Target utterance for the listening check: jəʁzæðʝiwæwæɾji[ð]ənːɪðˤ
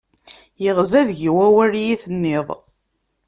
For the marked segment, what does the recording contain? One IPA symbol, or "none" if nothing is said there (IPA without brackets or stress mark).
θ